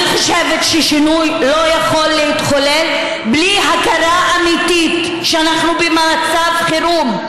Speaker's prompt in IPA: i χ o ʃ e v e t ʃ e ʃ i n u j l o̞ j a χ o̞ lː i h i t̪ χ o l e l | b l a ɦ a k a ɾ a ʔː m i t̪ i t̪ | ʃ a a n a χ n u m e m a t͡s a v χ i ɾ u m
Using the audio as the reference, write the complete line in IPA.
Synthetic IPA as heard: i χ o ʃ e v e t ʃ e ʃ i n u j l o̞ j a χ o̞ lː e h i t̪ χ o l e l | b l i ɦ a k a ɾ a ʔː m i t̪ i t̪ | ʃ e a n a χ n u b e m a t͡s a v χ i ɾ u m